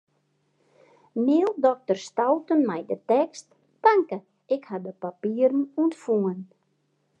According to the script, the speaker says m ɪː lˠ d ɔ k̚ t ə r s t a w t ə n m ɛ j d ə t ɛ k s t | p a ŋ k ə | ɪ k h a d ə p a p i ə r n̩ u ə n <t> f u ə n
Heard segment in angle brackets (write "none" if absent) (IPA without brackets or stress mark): t